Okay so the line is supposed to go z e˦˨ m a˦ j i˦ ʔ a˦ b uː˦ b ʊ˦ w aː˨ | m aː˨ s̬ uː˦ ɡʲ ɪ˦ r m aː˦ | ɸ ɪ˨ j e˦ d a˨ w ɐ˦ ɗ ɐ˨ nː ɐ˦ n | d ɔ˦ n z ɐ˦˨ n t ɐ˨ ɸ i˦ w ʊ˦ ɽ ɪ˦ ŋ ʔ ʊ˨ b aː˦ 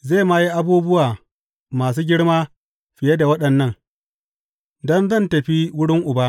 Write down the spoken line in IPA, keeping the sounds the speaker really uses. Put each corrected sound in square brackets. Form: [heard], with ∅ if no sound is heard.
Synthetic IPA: z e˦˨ m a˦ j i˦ ʔ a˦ b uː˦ b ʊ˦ w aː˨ | m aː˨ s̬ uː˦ ɡʲ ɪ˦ [ɽ] m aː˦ | ɸ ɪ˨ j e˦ d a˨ w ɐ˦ ɗ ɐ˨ nː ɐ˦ [ŋ] | d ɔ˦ n z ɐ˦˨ n t ɐ˨ ɸ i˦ w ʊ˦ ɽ ɪ˦ ŋ ʔ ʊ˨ b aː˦

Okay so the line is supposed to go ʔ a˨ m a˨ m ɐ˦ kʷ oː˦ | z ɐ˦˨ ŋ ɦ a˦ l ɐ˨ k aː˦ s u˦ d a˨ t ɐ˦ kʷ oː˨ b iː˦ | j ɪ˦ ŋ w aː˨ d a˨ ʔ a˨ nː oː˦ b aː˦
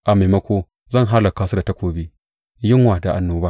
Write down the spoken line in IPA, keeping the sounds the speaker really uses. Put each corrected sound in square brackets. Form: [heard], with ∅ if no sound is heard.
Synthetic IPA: ʔ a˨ m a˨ m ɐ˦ kʷ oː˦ | z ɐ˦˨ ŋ ɦ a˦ l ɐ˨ k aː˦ s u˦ d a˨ t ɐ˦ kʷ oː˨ b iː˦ | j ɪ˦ ŋ w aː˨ d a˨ ʔ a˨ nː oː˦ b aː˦

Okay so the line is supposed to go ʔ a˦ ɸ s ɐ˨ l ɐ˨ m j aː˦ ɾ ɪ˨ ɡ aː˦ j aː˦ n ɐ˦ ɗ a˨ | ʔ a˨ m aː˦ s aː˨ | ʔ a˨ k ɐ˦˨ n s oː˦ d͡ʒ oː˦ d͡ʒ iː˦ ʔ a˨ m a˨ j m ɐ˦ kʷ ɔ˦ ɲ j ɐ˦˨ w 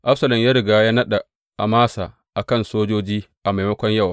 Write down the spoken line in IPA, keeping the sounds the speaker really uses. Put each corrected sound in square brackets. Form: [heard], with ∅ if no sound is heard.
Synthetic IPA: ʔ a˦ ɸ s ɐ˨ l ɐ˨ m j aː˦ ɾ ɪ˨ ɡ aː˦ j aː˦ n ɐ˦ ɗ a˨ | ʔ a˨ m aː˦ s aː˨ | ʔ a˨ k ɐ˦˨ n s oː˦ d͡ʒ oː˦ d͡ʒ iː˦ ʔ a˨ m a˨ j m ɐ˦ kʷ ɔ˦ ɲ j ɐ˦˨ w

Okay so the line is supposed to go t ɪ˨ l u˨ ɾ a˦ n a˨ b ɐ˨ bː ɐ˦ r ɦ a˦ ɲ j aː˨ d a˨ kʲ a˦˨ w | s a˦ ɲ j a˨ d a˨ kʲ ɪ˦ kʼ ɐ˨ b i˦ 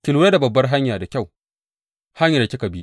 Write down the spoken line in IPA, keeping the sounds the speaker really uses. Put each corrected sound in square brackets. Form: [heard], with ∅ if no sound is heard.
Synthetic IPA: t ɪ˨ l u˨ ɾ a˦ [d] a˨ b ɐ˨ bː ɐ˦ r ɦ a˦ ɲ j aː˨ d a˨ kʲ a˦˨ w | [h] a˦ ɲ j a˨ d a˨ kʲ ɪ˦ [k] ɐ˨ b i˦

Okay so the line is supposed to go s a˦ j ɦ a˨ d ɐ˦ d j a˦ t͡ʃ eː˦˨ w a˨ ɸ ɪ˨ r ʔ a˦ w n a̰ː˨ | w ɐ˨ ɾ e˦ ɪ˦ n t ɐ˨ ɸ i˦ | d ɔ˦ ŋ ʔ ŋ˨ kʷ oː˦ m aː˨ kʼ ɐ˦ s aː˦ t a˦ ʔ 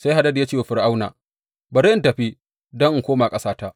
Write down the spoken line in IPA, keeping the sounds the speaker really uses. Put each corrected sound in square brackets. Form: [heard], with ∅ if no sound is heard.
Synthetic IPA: s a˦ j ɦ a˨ d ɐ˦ d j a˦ t͡ʃ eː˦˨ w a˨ ɸ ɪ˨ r ʔ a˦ w n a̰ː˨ | [b] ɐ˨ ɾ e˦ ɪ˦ n t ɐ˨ ɸ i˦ | d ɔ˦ ŋ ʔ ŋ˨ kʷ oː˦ m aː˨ kʼ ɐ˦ s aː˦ t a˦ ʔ

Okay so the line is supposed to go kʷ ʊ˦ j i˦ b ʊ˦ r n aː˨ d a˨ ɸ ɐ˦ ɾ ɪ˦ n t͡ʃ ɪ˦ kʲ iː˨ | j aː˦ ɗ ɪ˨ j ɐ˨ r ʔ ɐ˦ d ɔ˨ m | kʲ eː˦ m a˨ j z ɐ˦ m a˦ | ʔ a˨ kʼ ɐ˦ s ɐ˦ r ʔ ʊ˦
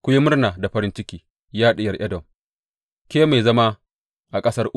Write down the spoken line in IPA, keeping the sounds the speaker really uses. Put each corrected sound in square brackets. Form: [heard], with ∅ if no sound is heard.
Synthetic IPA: kʷ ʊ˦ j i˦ [m] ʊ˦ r n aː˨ d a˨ ɸ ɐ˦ ɾ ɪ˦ n t͡ʃ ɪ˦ kʲ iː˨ | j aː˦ ɗ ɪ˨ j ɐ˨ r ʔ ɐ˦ d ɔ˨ m | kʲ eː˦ m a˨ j z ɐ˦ m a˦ | ʔ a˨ kʼ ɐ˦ s ɐ˦ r ʔ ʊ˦

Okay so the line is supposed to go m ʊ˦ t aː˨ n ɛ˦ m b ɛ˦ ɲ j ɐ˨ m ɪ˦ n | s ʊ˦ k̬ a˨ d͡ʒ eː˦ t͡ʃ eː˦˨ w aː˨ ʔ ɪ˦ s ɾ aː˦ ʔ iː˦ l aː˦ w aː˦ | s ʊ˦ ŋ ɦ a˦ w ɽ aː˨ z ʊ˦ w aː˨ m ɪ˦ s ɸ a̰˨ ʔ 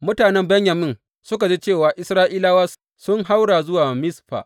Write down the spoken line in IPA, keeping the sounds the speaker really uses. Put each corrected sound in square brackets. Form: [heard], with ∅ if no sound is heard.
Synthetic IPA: m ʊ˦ t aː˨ n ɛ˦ m b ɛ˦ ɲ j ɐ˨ m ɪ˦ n | s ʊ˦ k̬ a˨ d͡ʒ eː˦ t͡ʃ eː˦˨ w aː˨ ʔ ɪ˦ s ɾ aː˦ ʔ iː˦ l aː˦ w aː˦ | s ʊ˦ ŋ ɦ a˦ w ɽ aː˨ z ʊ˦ w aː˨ m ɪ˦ s ɸ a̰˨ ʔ

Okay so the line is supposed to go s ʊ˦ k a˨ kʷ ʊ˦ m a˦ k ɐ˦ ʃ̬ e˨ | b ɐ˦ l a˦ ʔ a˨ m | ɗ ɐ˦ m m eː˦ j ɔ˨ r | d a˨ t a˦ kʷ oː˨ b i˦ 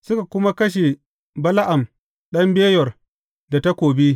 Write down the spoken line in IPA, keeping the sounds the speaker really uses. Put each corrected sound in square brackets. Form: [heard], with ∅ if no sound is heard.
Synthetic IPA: s ʊ˦ k a˨ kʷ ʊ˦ m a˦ k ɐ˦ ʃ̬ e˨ | b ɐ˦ l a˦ ʔ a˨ m | ɗ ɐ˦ m [b] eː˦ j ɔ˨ r | d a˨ t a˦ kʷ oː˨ b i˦

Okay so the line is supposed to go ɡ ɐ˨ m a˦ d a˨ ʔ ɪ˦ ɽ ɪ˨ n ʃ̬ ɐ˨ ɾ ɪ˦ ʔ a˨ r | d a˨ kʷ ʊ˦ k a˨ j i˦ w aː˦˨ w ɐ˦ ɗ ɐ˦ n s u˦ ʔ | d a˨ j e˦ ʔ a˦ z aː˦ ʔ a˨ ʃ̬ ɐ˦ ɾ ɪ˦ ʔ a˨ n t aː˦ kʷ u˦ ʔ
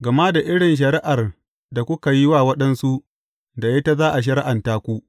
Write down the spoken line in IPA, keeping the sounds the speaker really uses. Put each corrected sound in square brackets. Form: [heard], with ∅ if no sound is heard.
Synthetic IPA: ɡ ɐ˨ m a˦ d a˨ ʔ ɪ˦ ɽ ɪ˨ n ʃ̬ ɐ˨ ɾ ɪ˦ ʔ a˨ r | d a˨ kʷ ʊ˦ k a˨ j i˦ w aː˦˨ w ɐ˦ ɗ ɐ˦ n s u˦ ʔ | d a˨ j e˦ [t] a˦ z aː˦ ʔ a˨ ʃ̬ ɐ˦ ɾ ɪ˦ ʔ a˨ n t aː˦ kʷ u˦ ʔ

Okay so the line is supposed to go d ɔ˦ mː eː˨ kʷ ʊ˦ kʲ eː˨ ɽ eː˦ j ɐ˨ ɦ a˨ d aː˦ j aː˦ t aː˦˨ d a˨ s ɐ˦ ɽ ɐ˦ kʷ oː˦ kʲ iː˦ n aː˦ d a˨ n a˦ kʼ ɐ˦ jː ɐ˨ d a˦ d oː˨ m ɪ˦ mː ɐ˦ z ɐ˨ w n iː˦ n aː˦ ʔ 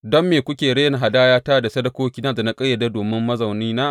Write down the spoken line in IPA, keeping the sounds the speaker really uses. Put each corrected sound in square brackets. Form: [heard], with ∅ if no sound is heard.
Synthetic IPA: d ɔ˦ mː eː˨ kʷ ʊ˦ kʲ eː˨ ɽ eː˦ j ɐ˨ ɦ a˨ d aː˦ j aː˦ t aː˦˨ d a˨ s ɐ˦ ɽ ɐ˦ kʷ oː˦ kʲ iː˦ n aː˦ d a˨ n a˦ kʼ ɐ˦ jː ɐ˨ d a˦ d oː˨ m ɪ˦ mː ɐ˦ z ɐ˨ w n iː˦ n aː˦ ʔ

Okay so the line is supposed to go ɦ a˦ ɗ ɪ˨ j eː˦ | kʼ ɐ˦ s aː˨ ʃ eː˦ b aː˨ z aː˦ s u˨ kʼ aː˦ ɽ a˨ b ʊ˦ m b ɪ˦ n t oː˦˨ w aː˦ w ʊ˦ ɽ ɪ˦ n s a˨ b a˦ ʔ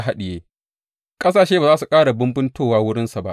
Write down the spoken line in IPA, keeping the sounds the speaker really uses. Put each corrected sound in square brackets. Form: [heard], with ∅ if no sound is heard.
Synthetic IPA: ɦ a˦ ɗ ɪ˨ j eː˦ | kʼ ɐ˦ s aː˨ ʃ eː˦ b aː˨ z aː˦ s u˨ kʼ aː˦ ɽ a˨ b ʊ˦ m b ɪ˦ n t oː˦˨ w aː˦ w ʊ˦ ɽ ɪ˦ n s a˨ b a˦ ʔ

